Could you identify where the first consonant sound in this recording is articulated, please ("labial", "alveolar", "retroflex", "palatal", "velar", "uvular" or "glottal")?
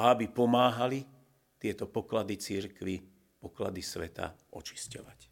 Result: labial